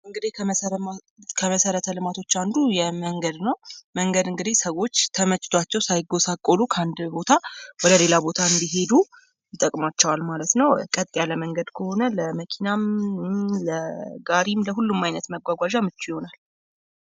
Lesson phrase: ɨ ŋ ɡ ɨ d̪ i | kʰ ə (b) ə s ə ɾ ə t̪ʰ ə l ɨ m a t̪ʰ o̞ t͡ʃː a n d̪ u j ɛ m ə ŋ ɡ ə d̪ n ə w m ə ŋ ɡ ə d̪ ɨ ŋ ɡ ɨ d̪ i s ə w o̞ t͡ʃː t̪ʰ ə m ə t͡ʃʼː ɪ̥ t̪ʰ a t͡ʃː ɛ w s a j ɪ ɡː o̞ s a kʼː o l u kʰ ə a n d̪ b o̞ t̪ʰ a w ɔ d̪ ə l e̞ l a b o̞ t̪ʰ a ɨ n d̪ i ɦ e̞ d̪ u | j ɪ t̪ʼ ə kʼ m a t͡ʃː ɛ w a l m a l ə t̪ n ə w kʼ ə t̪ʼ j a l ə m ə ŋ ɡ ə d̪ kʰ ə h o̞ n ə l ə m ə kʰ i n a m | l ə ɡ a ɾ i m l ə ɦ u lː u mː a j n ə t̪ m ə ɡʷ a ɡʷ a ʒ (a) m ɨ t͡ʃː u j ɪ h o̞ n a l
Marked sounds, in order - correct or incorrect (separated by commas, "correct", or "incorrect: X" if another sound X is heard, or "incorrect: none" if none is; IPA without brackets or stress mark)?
incorrect: m, correct